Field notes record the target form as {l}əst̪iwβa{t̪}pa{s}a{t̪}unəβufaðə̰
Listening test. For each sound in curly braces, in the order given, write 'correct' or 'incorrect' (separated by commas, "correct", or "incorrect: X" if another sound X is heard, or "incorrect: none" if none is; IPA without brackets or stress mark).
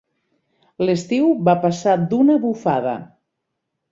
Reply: correct, incorrect: none, correct, incorrect: d̪